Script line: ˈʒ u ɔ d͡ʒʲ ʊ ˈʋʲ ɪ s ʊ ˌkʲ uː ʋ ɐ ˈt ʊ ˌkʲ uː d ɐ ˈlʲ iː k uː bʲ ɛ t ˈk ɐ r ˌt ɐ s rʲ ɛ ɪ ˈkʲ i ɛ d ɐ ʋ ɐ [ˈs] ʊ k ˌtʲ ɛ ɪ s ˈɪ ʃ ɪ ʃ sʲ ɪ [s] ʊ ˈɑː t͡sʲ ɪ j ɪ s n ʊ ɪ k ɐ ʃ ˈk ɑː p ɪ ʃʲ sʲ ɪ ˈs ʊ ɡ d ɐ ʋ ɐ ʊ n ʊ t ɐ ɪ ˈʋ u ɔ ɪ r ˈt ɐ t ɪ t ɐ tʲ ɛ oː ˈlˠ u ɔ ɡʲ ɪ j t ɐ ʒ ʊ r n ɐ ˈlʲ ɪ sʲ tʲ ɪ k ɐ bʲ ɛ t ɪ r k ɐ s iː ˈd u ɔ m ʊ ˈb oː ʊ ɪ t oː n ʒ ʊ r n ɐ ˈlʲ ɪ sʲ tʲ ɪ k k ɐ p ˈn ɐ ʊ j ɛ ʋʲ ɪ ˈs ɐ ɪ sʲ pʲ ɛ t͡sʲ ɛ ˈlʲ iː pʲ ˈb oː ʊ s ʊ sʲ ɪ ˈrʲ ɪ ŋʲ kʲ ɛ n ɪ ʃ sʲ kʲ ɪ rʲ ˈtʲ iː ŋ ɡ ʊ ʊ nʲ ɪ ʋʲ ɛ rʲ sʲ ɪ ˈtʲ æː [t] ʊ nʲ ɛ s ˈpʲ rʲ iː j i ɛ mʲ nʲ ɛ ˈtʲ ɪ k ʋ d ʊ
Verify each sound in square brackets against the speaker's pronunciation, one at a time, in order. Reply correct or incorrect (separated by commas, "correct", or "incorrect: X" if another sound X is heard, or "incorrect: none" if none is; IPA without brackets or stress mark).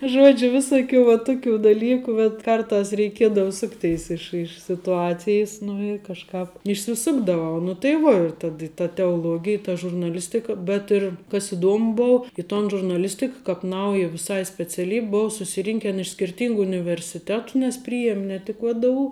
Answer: correct, incorrect: t, correct